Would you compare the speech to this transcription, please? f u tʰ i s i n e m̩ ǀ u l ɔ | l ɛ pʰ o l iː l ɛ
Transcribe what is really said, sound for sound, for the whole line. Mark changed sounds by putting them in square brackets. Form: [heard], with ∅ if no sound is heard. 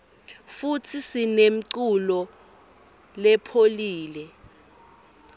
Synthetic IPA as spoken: f u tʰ i s i n e m̩ ǀ u l ɔ | l ɛ pʰ o l iː l ɛ

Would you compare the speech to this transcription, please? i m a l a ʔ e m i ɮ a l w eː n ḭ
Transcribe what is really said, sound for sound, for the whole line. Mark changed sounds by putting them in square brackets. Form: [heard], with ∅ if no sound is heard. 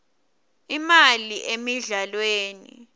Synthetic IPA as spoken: i m a l [i] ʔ e m i ɮ a l w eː n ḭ

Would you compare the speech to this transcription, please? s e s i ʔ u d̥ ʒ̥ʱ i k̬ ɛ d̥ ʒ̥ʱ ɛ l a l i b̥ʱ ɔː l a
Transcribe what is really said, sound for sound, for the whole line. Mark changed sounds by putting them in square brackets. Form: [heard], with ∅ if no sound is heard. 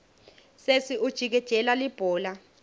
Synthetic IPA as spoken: s e s i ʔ u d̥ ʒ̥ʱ i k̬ ɛ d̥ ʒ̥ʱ ɛ l a l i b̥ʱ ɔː l a

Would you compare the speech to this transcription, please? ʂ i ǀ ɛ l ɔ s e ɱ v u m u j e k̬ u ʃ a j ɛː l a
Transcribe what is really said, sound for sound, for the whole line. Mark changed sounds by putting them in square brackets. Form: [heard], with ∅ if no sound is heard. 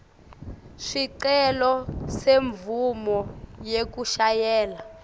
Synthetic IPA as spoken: ʂ i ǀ ɛ l ɔ s e ɱ v u m [ɔ] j e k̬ u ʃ a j ɛː l a

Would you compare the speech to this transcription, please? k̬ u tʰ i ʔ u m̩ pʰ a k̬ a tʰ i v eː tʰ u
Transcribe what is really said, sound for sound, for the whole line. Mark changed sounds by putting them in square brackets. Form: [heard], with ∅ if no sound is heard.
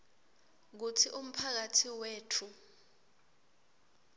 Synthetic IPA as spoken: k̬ u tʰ i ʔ u m̩ pʰ a k̬ a tʰ i [w] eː tʰ u

